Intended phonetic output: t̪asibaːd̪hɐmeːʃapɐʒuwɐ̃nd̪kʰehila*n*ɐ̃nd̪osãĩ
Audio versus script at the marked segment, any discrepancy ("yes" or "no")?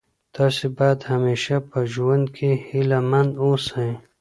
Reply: yes